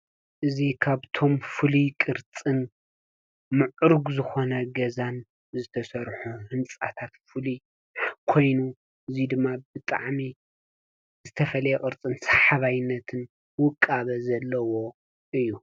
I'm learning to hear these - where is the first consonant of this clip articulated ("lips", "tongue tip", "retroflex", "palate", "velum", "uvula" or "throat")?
throat